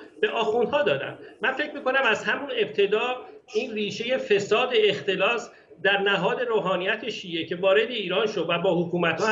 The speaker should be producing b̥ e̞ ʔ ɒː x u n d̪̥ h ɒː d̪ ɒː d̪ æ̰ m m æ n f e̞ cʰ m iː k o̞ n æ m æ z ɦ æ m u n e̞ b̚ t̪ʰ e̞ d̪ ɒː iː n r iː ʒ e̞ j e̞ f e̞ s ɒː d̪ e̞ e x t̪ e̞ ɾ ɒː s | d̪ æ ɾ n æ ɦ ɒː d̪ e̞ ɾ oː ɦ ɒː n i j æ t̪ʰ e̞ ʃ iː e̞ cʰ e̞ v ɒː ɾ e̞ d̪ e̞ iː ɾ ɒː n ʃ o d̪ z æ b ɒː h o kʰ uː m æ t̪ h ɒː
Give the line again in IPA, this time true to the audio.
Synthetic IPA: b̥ e̞ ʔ ɒː x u n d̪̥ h ɒː d̪ ɒː d̪ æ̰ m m æ n f e̞ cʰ m iː k o̞ n æ m æ z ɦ æ m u n e̞ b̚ t̪ʰ e̞ d̪ ɒː iː n r iː ʃ e̞ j e̞ f e̞ s ɒː d̪ e̞ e x t̪ e̞ l ɒː s | d̪ æ ɾ n æ ɦ ɒː d̪ e̞ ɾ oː ɦ ɒː n i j æ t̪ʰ e̞ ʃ iː e̞ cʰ e̞ v ɒː ɾ e̞ d̪ e̞ iː ɾ ɒː n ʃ o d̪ v æ b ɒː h o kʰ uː m æ t̪ h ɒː